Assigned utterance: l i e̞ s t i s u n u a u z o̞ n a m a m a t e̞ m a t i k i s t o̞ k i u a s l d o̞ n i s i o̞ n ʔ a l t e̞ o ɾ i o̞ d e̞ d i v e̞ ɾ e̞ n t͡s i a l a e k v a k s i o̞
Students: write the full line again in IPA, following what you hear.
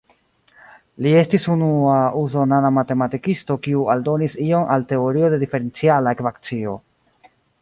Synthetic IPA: l i e̞ s t i s u n u a u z o̞ n a n a m a t e̞ m a t i k i s t o̞ k i u a l d o̞ n i s i o̞ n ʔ a l t e̞ o ɾ i o̞ d e̞ d i f e̞ ɾ e̞ n t͡s i a l a e k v a k t͡s i o̞